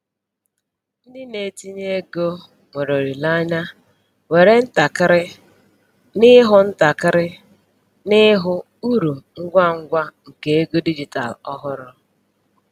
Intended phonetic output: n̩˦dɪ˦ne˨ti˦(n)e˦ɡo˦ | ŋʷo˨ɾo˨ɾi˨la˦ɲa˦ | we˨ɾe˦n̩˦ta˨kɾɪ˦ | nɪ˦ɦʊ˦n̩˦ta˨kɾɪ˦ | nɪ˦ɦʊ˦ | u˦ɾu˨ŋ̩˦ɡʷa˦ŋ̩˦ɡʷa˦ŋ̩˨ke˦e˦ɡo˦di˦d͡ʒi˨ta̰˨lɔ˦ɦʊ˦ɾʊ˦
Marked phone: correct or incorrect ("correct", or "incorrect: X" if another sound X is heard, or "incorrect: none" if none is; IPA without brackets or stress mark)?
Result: incorrect: ɲ